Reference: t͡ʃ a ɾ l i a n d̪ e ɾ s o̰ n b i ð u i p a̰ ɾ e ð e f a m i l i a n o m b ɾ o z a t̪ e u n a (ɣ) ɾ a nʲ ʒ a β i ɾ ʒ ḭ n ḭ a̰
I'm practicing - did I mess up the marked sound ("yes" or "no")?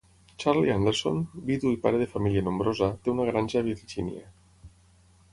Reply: no